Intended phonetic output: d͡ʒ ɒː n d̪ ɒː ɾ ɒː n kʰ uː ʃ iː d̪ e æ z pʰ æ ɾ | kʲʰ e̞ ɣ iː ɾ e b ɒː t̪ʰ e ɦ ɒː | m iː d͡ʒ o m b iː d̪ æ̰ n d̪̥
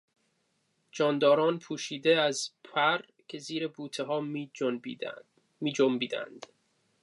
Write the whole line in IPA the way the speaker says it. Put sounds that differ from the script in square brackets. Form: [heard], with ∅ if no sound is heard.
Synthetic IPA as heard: d͡ʒ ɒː n d̪ ɒː ɾ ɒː n [pʰ] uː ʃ iː d̪ e æ z pʰ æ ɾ | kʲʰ e̞ [z] iː ɾ e b [uː] t̪ʰ e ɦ ɒː | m iː d͡ʒ o m b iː d̪ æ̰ n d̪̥